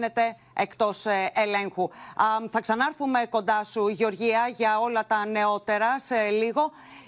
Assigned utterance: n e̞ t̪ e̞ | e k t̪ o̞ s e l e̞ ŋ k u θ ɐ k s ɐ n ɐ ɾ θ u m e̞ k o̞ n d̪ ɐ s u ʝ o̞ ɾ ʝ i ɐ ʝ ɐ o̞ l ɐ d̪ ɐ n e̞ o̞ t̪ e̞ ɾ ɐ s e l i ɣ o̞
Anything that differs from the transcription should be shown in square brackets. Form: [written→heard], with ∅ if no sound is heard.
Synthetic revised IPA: n e̞ t̪ e̞ | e k t̪ o̞ s e l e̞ ŋ [k→x] u θ ɐ k s ɐ n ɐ ɾ θ u m e̞ k o̞ n d̪ ɐ s u ʝ o̞ ɾ ʝ i ɐ ʝ ɐ o̞ l ɐ [d̪→t̪] ɐ n e̞ o̞ t̪ e̞ ɾ ɐ s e l i ɣ o̞